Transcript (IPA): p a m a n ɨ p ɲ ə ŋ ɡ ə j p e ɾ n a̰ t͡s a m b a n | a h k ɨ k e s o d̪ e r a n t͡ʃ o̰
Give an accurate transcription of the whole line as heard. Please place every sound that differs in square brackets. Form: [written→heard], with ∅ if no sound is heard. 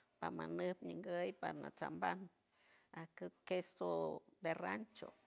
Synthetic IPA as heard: p a m a n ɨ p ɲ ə ŋ ɡ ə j p [e→a] ɾ n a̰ t͡s a m b a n | a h k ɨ k e s o d̪ e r a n t͡ʃ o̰